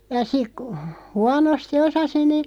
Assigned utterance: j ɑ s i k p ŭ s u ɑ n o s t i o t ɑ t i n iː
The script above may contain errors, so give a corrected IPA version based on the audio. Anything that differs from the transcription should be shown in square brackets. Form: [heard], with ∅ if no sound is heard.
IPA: j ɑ s i k [k] ŭ [h] u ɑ n o s t i o [s] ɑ [s] i n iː